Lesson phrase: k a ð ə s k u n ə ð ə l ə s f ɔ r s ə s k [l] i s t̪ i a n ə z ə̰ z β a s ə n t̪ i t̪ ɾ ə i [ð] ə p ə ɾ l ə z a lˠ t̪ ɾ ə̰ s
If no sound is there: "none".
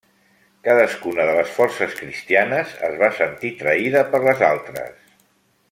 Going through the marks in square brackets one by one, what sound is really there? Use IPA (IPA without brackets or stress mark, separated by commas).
ɾ, ð